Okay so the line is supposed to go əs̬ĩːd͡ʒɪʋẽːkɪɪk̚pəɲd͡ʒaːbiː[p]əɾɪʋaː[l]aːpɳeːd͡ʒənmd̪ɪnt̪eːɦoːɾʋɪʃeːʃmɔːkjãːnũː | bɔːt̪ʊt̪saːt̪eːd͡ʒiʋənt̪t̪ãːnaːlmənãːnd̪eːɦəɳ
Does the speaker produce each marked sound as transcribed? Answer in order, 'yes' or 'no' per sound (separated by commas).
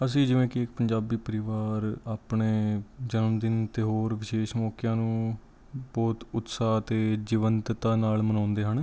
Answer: yes, no